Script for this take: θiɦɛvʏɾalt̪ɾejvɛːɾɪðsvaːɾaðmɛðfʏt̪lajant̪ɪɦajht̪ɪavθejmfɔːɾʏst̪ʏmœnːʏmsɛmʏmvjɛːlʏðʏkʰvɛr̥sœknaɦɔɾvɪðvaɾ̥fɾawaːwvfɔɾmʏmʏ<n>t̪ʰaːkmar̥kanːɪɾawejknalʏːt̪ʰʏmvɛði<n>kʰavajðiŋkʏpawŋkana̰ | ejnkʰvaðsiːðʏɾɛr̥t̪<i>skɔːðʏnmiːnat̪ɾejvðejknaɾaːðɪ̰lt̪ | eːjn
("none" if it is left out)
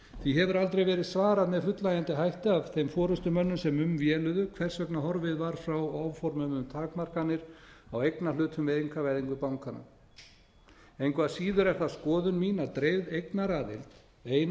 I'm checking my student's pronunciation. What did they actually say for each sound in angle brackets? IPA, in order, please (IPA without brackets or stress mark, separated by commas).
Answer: m, ŋ, a